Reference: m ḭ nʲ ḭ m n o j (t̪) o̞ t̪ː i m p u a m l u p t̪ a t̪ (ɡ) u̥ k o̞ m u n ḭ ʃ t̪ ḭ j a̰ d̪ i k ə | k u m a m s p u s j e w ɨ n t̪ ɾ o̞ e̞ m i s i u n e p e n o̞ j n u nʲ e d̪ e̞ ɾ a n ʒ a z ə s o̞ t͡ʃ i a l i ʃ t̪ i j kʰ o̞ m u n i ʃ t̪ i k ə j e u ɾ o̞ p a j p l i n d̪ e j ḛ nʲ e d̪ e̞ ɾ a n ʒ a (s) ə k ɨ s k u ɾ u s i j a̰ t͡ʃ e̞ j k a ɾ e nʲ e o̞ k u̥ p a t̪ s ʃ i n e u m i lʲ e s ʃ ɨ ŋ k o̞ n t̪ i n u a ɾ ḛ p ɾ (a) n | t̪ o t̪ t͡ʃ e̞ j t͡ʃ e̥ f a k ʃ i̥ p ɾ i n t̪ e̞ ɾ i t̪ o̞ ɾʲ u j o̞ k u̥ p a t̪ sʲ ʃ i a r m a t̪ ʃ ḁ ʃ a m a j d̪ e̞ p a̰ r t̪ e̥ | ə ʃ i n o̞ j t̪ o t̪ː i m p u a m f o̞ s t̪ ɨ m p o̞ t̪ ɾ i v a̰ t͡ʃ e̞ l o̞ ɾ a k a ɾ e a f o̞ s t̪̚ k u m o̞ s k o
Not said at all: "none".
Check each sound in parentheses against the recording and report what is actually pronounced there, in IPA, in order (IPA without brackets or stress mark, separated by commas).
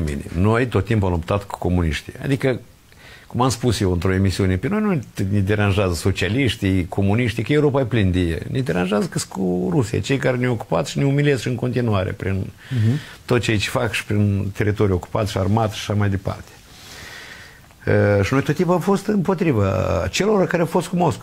t̪, k, z, i